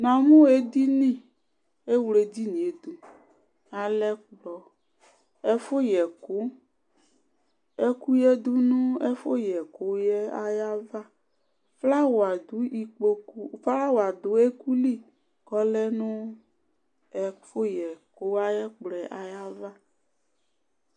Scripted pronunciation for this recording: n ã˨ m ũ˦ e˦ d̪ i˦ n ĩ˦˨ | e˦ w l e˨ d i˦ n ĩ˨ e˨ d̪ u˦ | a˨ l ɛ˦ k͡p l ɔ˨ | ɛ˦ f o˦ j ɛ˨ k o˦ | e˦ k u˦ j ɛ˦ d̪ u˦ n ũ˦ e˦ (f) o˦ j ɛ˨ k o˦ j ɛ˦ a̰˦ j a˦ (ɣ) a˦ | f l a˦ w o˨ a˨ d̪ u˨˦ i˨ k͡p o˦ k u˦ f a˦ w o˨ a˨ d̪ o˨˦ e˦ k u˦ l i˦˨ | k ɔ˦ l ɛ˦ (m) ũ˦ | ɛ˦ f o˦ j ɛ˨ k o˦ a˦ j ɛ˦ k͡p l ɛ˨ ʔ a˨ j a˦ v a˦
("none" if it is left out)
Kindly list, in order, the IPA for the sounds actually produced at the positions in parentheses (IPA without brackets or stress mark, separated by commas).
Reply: f, v, n